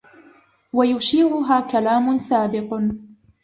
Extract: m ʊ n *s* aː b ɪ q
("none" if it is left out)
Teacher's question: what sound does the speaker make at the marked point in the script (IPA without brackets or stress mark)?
s